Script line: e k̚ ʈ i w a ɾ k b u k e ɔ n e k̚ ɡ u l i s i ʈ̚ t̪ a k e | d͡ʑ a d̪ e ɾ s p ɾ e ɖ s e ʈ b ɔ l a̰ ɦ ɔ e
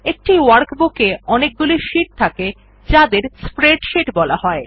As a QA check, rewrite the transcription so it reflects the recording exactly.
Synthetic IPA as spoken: e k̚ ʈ i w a ɾ k b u k e ɔ n e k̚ ɡ u l i ʃ i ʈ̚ t̪ʰ a k e | d͡ʑ a d̪ e ɾ s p ɾ e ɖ ʃ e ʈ b ɔ l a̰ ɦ ɔ e